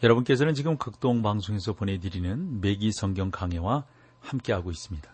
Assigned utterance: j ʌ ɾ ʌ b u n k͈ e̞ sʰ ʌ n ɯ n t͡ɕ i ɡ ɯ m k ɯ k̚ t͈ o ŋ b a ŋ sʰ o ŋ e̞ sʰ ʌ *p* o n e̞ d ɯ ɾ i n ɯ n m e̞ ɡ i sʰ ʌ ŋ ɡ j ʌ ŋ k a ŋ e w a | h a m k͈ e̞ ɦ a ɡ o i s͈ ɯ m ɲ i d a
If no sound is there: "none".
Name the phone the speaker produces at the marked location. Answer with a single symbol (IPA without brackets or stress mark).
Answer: p